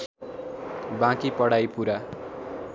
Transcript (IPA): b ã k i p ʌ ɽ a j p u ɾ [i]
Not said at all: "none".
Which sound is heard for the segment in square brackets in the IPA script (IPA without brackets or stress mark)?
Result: a